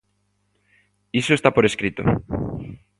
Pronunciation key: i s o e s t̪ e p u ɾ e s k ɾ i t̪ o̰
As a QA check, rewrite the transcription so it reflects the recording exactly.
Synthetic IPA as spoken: i s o e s t̪ a p o ɾ e s k ɾ i t̪ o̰